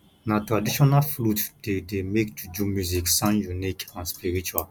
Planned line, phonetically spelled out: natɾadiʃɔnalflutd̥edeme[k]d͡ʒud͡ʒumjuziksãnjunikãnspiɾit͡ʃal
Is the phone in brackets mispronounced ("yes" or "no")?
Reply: no